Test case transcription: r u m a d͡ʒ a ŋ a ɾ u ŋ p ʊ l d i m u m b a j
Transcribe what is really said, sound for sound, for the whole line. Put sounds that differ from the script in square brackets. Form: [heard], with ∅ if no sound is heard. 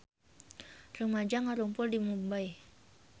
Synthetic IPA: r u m a d͡ʒ a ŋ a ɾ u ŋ p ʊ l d i m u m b a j